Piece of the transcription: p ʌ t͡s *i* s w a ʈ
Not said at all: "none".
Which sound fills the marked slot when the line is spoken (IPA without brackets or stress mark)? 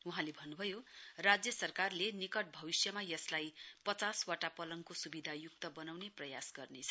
a